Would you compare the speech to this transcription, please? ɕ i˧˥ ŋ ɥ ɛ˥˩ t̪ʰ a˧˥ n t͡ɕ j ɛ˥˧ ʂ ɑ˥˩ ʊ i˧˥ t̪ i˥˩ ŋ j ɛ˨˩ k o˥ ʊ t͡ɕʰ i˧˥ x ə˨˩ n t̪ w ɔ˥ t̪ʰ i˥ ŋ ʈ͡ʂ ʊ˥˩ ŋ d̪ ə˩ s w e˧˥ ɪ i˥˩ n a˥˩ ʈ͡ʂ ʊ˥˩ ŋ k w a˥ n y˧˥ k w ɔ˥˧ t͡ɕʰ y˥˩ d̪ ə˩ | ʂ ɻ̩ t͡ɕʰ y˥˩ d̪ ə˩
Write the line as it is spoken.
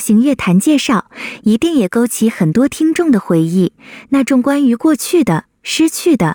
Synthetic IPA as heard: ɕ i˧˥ ŋ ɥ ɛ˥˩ t̪ʰ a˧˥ n t͡ɕ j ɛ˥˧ ʂ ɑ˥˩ ʊ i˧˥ t̪ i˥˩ ŋ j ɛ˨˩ k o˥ ʊ t͡ɕʰ i˧˥ x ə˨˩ n t̪ w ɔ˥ t̪ʰ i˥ ŋ ʈ͡ʂ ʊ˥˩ ŋ d̪ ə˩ x w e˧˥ ɪ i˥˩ n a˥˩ ʈ͡ʂ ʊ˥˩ ŋ k w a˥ n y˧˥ k w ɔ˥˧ t͡ɕʰ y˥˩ d̪ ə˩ | ʂ ɻ̩ t͡ɕʰ y˥˩ d̪ ə˩